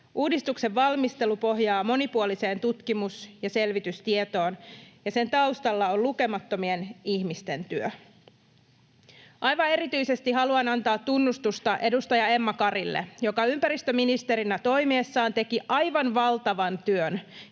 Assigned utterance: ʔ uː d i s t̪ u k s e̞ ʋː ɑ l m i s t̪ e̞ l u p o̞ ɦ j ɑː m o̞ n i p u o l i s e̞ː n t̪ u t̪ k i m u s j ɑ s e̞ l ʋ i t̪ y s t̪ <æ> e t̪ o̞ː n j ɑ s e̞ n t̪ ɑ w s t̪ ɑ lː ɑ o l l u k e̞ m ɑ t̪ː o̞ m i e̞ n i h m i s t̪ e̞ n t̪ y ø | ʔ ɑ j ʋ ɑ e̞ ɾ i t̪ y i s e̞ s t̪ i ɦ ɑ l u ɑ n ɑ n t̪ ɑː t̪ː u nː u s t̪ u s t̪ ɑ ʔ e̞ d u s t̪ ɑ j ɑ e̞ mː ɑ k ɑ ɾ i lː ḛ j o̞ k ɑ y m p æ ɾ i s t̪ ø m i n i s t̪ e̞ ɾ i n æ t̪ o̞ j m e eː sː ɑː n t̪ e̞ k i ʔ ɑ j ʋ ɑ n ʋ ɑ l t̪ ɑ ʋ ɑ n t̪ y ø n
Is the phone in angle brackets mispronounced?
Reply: yes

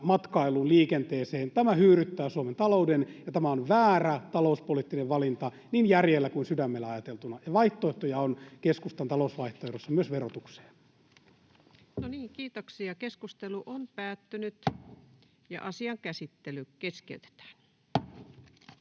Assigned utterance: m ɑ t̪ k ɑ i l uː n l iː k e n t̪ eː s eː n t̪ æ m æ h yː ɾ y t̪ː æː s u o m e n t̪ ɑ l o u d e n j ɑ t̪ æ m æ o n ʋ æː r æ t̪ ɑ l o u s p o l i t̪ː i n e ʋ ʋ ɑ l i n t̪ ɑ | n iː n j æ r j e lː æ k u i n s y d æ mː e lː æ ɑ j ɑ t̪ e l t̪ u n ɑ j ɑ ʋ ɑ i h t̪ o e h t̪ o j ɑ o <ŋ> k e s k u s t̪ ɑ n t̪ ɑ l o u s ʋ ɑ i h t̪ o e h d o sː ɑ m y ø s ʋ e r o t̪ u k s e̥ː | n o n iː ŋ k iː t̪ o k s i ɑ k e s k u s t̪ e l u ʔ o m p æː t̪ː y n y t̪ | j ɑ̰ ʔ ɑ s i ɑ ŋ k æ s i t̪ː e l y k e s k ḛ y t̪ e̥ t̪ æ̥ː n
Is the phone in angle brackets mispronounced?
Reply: yes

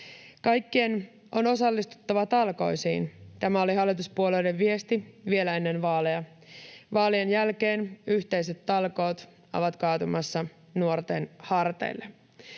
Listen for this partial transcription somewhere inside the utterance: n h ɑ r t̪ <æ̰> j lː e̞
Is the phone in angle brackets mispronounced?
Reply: yes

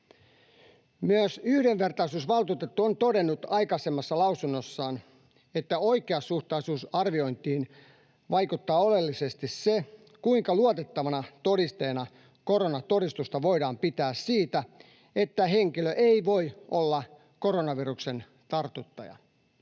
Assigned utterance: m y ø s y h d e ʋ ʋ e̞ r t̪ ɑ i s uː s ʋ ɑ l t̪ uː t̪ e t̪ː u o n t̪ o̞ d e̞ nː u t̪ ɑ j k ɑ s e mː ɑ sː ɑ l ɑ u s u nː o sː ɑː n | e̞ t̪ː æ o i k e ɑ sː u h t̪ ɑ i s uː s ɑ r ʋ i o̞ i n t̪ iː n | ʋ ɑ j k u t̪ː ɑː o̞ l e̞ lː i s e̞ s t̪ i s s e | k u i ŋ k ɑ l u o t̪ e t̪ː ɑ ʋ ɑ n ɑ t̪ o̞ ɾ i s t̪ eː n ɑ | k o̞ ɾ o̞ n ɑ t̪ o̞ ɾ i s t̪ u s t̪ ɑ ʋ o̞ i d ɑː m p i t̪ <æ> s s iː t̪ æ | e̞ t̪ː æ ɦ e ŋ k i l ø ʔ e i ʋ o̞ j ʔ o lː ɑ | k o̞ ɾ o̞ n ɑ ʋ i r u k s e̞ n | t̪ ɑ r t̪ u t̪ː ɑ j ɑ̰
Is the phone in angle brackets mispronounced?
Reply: yes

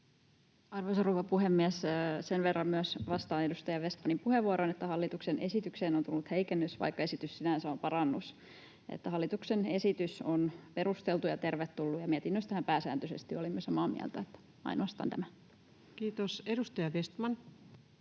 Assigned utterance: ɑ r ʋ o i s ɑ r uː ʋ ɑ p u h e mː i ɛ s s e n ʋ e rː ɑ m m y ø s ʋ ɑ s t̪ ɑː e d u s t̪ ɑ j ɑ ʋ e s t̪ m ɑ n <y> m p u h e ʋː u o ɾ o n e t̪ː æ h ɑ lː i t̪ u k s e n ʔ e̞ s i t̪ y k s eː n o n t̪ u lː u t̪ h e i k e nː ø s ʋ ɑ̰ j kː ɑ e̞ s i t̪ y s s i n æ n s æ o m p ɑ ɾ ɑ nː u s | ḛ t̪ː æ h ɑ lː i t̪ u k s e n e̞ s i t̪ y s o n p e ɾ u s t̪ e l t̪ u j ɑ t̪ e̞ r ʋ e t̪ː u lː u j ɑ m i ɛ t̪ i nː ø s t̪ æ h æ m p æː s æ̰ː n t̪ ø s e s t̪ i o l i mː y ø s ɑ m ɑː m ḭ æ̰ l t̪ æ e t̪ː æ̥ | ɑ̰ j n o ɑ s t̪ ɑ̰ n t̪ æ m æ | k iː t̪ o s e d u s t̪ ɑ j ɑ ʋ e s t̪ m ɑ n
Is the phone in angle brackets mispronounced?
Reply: yes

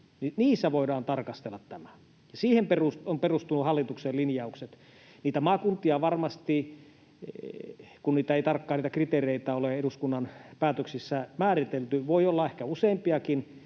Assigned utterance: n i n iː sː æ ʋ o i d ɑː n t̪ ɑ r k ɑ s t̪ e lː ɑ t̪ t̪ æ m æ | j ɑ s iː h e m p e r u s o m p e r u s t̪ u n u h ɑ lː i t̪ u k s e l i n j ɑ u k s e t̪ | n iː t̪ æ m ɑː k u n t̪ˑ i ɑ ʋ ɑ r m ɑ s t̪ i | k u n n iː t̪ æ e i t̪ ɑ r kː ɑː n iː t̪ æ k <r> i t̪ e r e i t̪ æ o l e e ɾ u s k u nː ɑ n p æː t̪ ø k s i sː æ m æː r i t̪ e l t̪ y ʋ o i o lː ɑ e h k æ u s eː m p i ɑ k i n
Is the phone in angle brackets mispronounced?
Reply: no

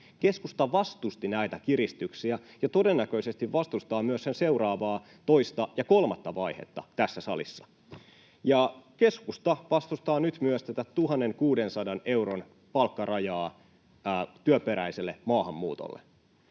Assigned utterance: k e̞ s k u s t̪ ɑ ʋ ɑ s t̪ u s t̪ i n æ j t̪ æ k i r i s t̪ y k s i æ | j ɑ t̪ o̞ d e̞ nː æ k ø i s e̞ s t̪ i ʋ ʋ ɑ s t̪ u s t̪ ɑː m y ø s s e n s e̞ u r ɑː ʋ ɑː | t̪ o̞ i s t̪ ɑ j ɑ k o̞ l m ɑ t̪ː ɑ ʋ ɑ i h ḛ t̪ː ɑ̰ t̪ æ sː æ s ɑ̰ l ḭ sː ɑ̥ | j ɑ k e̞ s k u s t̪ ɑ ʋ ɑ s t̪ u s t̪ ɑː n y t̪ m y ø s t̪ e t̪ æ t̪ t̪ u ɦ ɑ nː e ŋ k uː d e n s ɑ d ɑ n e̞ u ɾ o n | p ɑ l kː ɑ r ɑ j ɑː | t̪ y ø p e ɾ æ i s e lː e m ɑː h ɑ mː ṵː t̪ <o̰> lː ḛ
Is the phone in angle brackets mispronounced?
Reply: no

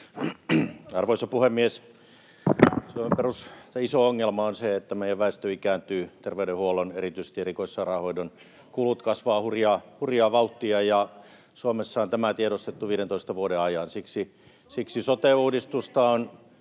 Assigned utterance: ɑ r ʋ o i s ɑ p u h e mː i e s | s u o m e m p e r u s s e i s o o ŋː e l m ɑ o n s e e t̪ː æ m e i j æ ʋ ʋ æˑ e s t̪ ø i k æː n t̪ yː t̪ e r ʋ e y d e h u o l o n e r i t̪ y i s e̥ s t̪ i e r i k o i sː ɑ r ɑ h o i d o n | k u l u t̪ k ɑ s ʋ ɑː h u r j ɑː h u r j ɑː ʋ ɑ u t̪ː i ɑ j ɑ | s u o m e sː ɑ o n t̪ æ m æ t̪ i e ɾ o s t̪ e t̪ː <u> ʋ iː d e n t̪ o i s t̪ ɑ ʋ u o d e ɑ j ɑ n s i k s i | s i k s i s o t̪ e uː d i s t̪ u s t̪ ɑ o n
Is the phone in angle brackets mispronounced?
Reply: no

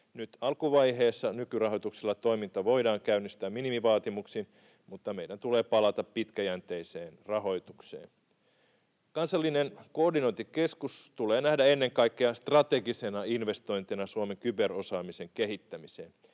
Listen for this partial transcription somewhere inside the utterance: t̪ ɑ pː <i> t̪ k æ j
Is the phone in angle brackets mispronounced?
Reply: no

